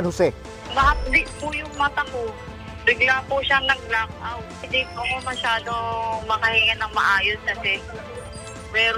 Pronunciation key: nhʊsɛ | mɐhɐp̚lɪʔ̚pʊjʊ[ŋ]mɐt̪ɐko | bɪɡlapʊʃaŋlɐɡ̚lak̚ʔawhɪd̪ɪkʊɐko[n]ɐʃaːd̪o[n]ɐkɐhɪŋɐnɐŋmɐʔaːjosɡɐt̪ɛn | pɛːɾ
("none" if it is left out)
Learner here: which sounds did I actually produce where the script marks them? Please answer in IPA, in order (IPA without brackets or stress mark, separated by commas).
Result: ŋ, m, m